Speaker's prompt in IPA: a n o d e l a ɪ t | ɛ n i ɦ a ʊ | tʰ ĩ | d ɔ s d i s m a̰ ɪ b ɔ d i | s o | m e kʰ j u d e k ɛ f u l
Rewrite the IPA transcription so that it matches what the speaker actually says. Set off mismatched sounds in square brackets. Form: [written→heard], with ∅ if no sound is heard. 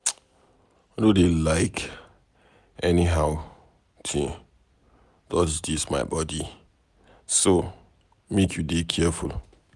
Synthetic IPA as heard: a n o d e l a ɪ [t→k] | ɛ n i ɦ a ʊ | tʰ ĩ | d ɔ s d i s m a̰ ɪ b ɔ d i | s o | m e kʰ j u d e [k→kʰ] ɛ f u l